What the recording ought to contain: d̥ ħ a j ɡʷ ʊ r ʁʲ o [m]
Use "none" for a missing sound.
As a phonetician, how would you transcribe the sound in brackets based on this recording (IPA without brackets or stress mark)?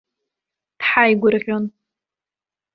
n